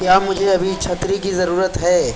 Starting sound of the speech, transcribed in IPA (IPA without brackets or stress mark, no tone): k